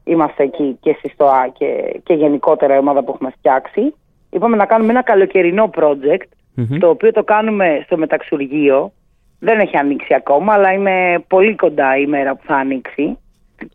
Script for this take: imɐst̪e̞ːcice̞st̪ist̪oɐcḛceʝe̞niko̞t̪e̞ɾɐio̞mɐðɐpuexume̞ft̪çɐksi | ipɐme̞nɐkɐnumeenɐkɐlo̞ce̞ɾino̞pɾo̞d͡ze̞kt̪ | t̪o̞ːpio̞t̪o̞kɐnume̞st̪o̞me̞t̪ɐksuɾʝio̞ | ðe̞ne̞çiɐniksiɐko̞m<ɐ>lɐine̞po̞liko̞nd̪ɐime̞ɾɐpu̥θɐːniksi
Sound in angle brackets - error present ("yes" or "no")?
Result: yes